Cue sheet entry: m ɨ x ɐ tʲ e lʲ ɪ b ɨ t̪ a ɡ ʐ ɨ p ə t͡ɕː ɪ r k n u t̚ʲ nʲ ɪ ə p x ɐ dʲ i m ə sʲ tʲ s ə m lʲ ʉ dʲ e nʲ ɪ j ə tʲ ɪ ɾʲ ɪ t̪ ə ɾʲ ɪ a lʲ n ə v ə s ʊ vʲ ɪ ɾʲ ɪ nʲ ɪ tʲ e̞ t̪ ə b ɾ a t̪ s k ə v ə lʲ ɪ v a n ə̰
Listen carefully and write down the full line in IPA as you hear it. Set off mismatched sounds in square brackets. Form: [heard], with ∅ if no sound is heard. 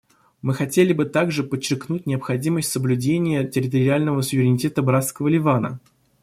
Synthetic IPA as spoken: m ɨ x ɐ tʲ e lʲ ɪ b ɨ t̪ a ɡ ʐ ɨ p ə t͡ɕː ɪ r k n u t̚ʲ nʲ ɪ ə p x ɐ dʲ i m ə sʲ tʲ s ə [b] lʲ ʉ dʲ e nʲ ɪ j ə tʲ ɪ ɾʲ ɪ t̪ ə ɾʲ ɪ a lʲ n ə v ə s ʊ vʲ ɪ ɾʲ ɪ nʲ ɪ tʲ e̞ t̪ ə b ɾ a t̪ s k ə v ə lʲ ɪ v a n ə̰